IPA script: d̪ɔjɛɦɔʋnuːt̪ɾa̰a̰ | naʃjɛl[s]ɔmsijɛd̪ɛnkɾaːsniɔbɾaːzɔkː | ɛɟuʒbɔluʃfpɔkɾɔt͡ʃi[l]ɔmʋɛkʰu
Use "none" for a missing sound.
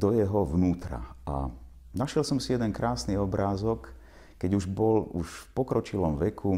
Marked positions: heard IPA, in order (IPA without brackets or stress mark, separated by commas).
s, l